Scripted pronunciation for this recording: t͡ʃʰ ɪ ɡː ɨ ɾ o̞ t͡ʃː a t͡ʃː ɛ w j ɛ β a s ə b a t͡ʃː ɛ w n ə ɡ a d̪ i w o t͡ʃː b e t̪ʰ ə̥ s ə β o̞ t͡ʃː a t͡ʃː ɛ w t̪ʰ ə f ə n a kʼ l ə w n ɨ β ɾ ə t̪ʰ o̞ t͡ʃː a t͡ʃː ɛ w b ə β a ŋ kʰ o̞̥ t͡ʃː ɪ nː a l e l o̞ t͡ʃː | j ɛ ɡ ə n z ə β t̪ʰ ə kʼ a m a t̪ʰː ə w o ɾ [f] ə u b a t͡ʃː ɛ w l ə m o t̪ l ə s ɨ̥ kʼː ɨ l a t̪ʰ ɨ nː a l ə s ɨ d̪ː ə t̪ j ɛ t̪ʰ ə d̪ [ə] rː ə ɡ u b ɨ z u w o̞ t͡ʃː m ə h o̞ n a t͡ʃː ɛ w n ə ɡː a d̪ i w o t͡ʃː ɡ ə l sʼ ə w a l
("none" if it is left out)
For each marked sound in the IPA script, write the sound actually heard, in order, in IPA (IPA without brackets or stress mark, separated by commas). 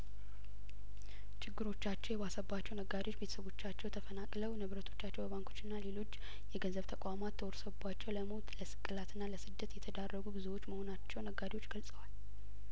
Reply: s, a